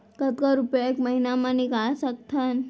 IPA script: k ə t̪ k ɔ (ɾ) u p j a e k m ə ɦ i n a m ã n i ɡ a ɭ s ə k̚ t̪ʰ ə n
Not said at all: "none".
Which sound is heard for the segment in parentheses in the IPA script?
ɾ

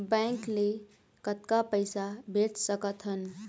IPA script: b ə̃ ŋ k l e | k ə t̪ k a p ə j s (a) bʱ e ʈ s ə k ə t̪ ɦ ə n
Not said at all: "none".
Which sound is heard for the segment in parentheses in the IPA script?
a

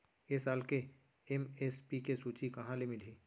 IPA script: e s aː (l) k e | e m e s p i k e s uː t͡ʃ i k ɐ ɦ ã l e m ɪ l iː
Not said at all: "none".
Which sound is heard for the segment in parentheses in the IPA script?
l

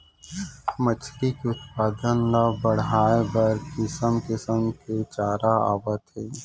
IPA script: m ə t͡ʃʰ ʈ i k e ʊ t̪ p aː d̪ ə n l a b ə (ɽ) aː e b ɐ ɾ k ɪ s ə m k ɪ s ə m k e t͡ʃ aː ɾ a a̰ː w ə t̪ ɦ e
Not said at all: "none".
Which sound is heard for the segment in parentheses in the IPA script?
ɽ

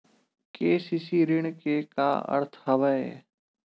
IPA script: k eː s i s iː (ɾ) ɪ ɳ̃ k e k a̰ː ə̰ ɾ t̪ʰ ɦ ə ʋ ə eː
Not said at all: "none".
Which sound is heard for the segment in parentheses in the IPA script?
ɾ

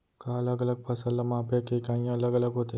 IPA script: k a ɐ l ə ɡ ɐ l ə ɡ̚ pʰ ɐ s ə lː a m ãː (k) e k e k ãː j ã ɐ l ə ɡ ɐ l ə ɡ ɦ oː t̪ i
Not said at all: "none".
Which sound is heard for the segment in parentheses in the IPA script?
p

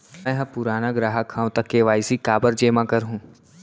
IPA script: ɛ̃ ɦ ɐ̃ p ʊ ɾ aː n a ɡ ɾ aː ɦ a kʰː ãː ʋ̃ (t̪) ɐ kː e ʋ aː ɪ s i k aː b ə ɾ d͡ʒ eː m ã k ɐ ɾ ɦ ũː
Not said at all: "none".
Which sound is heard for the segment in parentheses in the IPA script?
t̪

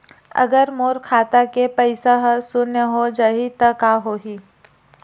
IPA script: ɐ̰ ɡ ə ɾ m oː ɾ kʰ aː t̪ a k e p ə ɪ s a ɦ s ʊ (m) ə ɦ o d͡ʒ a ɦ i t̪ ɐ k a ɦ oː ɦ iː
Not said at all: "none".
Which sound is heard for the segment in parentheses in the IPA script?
n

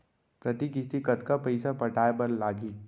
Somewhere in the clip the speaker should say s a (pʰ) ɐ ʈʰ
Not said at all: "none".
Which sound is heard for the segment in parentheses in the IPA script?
p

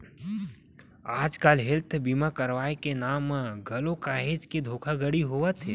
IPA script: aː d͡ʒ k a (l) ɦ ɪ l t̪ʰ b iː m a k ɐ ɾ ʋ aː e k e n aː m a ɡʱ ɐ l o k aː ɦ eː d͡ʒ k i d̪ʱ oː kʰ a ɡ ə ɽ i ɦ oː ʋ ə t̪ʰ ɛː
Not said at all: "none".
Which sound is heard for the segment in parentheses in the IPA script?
l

